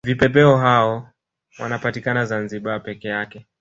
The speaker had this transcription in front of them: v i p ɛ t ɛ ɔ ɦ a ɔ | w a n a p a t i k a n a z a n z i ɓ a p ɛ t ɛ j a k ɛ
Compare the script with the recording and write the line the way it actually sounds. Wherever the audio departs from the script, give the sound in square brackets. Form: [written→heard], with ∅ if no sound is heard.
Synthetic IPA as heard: v i p ɛ [t→p] ɛ ɔ ɦ a ɔ | w a n a p a t i k a n a z a n z i ɓ a p ɛ [t→k] ɛ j a k ɛ